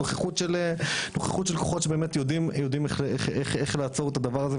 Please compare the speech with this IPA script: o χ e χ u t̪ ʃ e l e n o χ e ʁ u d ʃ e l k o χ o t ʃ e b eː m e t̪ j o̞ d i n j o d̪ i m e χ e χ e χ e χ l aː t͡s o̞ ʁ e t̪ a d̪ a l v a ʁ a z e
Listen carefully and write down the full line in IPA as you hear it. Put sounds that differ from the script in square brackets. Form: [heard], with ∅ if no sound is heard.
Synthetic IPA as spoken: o χ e χ u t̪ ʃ e l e n o χ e [χ] u [t] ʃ e l k o χ o t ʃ e b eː m e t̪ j o̞ d i [m] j o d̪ i m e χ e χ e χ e χ l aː t͡s o̞ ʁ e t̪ a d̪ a [∅] v a ʁ a z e